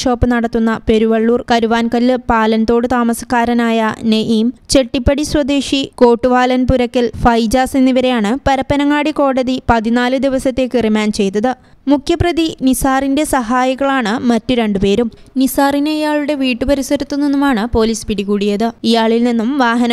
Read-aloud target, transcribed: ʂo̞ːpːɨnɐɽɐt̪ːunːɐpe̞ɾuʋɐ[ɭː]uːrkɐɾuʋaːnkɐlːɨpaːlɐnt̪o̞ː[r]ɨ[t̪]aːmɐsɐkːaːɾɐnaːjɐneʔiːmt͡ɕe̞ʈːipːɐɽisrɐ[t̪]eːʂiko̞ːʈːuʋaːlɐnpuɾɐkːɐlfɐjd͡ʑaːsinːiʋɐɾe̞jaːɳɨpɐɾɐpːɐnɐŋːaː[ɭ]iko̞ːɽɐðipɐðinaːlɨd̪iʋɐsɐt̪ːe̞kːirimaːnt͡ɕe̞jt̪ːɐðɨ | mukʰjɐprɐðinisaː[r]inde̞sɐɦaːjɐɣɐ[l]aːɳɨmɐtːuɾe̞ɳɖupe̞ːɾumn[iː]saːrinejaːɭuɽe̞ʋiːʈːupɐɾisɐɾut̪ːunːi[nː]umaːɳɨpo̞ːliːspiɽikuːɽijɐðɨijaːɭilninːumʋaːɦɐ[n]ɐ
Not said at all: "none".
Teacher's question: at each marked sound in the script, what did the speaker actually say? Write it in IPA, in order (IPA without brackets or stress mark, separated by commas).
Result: ɭː, ɽ, t̪, d̪, ɽ, r, ɭ, i, nː, n